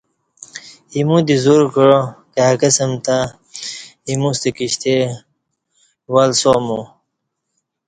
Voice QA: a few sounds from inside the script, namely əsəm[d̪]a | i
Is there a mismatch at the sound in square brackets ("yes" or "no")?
yes